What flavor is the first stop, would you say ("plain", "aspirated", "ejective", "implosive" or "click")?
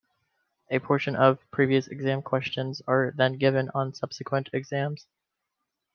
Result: aspirated